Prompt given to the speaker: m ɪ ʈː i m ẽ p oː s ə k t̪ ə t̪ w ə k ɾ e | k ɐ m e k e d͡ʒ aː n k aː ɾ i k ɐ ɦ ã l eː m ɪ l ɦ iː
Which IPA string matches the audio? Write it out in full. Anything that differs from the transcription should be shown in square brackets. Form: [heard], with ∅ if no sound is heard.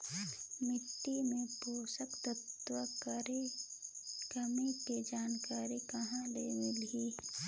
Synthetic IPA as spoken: m ɪ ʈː i m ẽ p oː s ə k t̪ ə t̪ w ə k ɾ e | k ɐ m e k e d͡ʒ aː n k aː ɾ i k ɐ ɦ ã l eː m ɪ l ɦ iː